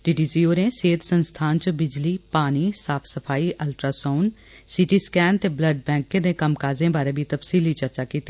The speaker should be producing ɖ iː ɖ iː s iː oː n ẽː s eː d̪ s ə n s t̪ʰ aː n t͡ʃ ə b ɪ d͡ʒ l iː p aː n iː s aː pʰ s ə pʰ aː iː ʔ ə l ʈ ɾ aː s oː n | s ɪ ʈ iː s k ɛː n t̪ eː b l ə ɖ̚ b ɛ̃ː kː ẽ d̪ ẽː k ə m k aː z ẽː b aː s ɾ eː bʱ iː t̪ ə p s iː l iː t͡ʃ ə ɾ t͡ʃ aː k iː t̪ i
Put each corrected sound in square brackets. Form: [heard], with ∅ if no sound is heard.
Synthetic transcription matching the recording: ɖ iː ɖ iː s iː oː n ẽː s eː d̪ s ə n s t̪ʰ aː n t͡ʃ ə b ɪ d͡ʒ l iː p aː n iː s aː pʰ s ə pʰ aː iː ʔ ə l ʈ ɾ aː s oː n | s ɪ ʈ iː s k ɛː n t̪ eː b l ə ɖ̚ b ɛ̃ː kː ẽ d̪ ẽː k ə m k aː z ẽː b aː [∅] ɾ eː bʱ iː t̪ ə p s iː l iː t͡ʃ ə ɾ t͡ʃ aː k iː t̪ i